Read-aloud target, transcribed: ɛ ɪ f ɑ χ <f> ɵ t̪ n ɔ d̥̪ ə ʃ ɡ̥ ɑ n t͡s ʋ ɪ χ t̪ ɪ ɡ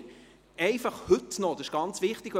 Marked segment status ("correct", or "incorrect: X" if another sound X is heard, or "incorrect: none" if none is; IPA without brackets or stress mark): incorrect: h